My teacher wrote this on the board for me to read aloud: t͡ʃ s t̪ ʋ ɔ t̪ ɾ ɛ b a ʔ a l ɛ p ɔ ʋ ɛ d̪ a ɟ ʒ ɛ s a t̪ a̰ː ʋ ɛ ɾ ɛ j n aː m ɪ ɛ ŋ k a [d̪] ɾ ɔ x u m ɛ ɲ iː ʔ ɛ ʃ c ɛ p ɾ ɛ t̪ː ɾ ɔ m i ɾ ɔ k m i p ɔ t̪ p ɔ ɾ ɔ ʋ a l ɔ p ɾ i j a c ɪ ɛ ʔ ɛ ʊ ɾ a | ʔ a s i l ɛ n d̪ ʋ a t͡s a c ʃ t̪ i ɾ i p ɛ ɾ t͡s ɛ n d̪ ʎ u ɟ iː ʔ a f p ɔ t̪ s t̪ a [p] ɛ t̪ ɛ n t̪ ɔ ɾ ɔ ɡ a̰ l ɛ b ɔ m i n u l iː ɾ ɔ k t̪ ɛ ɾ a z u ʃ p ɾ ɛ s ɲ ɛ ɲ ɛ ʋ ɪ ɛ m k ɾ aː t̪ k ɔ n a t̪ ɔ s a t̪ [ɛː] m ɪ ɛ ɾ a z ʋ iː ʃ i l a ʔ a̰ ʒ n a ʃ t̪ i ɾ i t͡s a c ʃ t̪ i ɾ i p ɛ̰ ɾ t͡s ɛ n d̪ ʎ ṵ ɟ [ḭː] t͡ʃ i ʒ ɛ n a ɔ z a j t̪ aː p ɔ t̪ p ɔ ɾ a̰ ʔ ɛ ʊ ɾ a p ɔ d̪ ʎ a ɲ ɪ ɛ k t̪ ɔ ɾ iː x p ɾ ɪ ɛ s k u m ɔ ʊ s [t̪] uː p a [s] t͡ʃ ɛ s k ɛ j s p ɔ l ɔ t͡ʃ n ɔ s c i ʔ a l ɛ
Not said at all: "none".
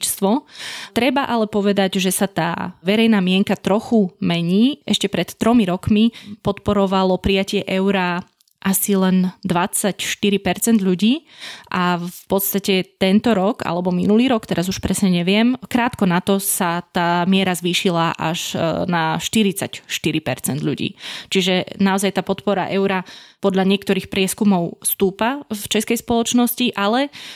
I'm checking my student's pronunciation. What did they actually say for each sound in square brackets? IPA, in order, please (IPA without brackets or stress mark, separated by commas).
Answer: t̪, c, aː, ḭː, t̪, f